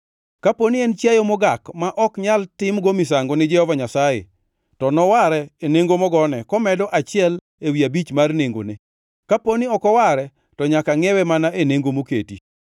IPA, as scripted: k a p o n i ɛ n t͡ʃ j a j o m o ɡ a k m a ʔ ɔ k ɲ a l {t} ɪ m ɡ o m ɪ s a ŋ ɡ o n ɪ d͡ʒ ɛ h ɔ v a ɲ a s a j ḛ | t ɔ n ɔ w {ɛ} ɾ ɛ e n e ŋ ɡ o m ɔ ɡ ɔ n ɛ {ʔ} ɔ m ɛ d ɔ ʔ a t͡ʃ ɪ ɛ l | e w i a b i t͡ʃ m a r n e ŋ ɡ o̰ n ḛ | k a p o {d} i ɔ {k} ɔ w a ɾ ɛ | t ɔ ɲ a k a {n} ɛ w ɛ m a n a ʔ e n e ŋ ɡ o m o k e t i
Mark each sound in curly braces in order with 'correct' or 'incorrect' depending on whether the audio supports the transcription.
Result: correct, incorrect, incorrect, incorrect, correct, incorrect

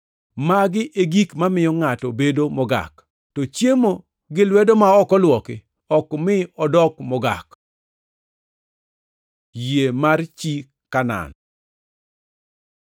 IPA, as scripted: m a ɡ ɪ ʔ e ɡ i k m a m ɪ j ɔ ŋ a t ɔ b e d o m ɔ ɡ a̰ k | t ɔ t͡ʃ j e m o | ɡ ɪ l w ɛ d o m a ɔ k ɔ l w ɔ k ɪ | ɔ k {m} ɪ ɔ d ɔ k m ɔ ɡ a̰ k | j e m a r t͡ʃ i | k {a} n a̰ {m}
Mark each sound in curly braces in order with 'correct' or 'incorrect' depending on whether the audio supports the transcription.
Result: correct, correct, incorrect

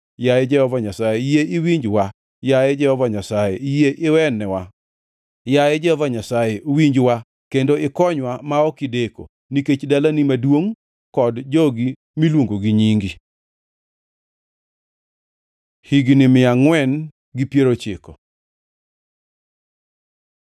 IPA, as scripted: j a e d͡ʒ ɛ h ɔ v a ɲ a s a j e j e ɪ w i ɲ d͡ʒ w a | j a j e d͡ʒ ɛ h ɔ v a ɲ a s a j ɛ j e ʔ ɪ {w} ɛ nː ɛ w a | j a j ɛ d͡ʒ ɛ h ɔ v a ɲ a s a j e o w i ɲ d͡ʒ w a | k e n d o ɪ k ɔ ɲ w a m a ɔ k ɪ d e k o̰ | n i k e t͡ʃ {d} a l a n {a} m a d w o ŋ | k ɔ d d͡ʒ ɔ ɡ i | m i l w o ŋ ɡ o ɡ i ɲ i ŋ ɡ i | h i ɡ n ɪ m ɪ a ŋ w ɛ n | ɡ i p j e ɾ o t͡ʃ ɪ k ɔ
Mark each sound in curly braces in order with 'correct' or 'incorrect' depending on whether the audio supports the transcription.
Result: correct, correct, incorrect

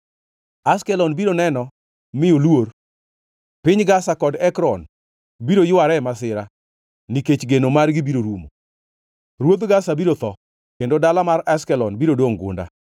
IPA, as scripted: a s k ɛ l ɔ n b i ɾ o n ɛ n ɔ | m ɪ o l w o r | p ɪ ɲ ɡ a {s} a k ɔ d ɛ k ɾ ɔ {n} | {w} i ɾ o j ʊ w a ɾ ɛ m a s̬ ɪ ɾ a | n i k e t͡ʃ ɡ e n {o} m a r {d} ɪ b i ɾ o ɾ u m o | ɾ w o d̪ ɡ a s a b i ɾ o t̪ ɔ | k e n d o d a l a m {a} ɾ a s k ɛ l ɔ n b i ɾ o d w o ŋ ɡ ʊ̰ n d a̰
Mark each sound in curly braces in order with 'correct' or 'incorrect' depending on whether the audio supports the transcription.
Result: correct, correct, incorrect, correct, incorrect, correct

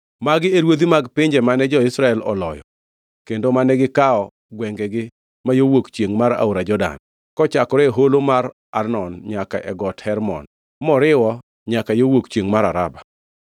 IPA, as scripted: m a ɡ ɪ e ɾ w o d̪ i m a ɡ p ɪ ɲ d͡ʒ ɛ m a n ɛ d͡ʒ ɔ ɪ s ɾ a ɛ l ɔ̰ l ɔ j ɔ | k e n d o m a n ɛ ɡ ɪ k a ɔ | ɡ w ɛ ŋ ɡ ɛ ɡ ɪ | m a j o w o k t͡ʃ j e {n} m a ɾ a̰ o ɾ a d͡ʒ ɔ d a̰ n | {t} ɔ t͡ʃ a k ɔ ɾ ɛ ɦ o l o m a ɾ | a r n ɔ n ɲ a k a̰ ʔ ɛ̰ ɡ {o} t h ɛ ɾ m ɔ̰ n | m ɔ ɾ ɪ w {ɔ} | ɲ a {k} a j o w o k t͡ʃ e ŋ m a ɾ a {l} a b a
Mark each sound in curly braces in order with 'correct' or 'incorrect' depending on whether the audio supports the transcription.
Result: incorrect, incorrect, incorrect, correct, correct, incorrect

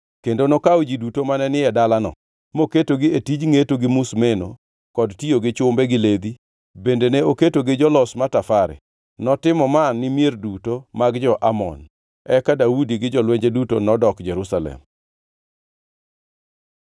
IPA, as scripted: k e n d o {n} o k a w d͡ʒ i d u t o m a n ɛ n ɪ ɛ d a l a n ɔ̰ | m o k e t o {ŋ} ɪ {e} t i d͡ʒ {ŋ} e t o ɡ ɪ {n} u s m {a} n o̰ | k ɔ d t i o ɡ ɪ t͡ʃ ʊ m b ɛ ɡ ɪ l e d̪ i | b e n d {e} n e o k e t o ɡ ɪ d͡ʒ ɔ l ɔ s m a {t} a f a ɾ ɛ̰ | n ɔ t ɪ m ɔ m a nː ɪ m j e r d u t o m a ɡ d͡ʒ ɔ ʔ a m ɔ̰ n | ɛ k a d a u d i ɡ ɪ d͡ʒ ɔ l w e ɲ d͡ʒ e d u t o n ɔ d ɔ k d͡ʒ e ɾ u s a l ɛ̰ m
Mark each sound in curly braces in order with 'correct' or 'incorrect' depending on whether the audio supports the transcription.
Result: correct, incorrect, correct, correct, incorrect, incorrect, correct, correct

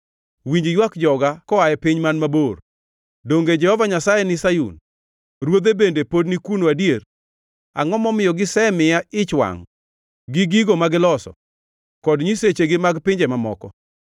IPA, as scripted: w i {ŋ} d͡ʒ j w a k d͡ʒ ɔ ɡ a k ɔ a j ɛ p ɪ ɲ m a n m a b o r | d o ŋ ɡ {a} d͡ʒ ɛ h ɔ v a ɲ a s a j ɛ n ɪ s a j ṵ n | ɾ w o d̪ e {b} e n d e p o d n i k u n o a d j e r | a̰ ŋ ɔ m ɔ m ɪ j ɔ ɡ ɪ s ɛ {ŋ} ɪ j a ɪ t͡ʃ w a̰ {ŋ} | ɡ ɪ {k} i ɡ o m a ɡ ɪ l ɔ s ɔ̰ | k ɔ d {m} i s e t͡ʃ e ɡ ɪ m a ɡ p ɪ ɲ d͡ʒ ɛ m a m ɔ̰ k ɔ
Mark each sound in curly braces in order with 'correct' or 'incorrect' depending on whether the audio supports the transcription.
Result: incorrect, incorrect, correct, incorrect, correct, incorrect, incorrect

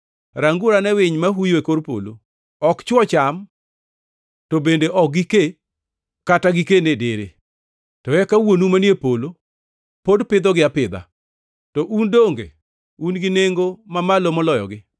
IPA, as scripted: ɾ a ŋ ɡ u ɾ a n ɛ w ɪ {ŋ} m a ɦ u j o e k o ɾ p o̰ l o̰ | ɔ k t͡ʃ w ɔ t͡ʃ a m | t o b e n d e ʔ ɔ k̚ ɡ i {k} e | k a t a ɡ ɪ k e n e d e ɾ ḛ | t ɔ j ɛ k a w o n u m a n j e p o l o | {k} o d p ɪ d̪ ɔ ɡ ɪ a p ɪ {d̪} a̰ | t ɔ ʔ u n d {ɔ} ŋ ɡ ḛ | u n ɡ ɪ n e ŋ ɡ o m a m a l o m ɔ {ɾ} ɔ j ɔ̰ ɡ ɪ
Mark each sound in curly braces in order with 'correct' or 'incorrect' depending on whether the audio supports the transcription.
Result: incorrect, correct, incorrect, correct, incorrect, incorrect

